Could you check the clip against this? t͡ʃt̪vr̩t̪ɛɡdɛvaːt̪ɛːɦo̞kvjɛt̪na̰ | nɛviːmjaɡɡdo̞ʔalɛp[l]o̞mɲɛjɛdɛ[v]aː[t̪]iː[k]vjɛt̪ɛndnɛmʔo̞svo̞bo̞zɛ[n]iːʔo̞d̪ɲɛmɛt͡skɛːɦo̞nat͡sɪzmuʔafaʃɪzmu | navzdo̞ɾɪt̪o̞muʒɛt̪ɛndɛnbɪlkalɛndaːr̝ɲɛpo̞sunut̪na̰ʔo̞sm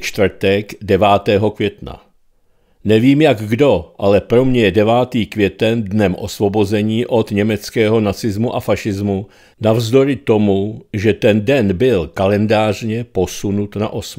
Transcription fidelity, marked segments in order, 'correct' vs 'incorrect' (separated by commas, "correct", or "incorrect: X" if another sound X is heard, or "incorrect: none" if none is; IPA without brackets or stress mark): incorrect: ɾ, correct, correct, correct, incorrect: ɲ